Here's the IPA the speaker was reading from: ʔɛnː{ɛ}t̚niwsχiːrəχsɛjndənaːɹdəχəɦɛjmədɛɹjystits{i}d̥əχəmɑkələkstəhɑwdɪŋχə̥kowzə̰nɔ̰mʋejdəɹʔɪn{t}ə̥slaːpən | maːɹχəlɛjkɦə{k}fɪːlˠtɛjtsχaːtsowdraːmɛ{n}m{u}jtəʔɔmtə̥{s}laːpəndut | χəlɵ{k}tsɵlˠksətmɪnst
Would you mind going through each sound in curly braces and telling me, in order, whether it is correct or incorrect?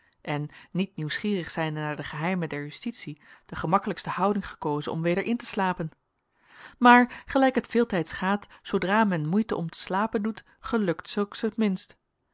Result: incorrect: i, correct, correct, incorrect: t, correct, correct, correct, correct

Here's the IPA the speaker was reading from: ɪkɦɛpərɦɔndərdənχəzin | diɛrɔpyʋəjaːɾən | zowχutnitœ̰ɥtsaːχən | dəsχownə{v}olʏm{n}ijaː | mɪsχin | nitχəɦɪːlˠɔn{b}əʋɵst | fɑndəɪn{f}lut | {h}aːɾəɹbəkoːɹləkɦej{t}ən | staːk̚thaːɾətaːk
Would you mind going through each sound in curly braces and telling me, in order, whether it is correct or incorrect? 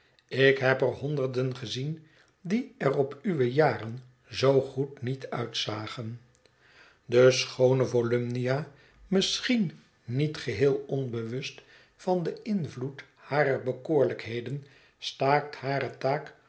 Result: correct, correct, correct, incorrect: v, correct, incorrect: d

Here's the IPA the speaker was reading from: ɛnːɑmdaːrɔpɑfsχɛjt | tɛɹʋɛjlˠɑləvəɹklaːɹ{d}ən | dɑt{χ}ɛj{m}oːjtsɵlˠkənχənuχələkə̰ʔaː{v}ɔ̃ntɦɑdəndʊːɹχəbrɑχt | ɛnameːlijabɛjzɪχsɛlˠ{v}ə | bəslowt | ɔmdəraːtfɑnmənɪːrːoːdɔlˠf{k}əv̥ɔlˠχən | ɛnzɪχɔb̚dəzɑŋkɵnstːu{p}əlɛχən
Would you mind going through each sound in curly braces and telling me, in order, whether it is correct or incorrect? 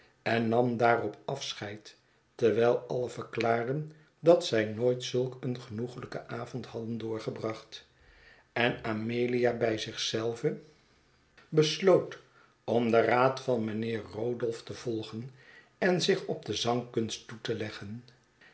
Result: correct, incorrect: s, incorrect: n, correct, correct, incorrect: t, incorrect: t

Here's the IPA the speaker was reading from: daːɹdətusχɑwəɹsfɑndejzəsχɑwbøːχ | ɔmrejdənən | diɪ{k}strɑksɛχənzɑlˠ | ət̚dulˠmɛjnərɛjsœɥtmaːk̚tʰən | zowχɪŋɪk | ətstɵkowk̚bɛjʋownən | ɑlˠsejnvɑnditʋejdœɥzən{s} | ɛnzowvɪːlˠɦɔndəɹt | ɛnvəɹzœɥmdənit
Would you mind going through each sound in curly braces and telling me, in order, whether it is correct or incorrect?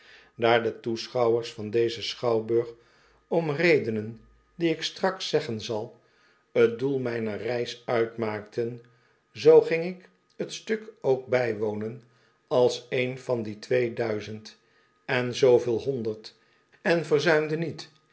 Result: correct, incorrect: t

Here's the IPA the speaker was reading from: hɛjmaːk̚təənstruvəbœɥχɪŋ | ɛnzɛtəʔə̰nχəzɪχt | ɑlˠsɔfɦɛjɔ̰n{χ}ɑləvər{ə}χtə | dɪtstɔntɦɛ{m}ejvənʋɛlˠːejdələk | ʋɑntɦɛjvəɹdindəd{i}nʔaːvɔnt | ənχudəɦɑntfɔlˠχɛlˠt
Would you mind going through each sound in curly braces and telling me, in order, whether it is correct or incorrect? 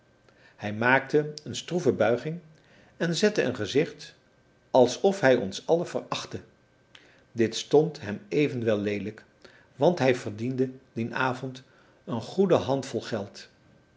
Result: incorrect: s, incorrect: ɑ, correct, correct

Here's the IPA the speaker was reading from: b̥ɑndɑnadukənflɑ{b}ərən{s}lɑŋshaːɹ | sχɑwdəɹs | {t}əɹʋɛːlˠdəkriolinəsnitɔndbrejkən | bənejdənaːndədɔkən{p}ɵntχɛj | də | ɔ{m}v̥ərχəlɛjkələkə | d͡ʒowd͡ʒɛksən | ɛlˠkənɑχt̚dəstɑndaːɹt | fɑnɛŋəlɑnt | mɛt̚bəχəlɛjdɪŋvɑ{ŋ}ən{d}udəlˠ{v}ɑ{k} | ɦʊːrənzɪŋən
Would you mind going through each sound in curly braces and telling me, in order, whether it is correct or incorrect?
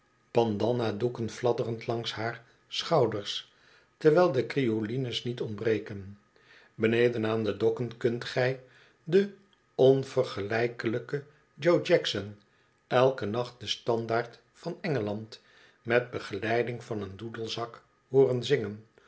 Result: incorrect: d, incorrect: t, correct, incorrect: k, incorrect: n, incorrect: n, correct, incorrect: z, correct

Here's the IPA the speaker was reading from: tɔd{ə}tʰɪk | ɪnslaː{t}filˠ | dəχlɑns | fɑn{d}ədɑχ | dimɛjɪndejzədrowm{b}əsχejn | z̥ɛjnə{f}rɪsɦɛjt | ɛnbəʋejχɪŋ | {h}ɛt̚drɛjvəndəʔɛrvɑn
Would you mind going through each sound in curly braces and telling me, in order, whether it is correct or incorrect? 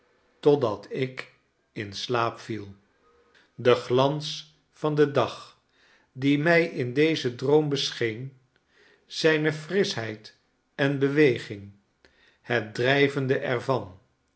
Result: incorrect: ɑ, incorrect: p, correct, correct, correct, correct

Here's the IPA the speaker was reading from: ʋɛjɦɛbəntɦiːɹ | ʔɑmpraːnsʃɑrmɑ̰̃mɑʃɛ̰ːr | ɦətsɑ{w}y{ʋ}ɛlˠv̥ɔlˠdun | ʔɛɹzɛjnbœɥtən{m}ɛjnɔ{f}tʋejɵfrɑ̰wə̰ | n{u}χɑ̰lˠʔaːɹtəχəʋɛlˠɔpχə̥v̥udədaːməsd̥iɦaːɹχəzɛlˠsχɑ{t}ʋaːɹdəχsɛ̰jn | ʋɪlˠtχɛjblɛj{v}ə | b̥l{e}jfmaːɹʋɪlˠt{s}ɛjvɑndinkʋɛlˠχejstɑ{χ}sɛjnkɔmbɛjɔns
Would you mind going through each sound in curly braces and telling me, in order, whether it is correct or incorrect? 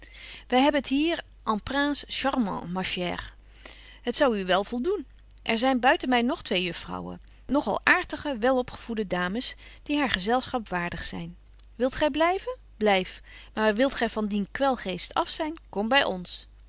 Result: correct, correct, correct, incorrect: χ, incorrect: ɔ, incorrect: p, correct, incorrect: ɛ, incorrect: χ, incorrect: f

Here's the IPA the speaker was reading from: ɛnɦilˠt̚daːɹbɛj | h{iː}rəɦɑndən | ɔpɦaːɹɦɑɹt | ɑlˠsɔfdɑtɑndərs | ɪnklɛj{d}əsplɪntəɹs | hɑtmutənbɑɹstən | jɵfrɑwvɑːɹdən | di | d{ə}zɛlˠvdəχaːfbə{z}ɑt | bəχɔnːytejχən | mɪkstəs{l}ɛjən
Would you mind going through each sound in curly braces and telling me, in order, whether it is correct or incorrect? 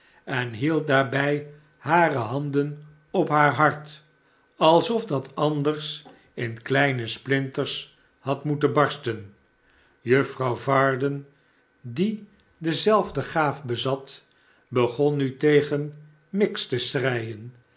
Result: incorrect: aː, incorrect: n, correct, correct, incorrect: r

